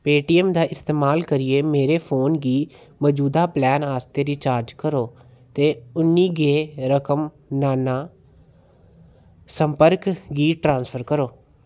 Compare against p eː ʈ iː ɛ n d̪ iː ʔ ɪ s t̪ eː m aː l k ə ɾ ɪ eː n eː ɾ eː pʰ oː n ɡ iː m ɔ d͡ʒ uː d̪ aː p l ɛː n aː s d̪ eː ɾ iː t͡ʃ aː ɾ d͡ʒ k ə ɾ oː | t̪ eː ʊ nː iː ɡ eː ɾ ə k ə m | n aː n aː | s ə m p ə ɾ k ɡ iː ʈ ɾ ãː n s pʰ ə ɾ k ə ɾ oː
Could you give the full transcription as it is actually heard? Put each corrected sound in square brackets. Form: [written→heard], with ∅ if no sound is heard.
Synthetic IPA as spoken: p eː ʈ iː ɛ [n→m] d̪ [iː→aː] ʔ ɪ s t̪ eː m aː l k ə ɾ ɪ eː [n→m] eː ɾ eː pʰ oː n ɡ iː m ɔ d͡ʒ uː d̪ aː p l ɛː n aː s [d̪→t̪] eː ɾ iː t͡ʃ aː ɾ d͡ʒ k ə ɾ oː | t̪ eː ʊ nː iː ɡ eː ɾ ə k ə m | n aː n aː | s ə m p ə ɾ k ɡ iː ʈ ɾ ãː n s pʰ ə ɾ k ə ɾ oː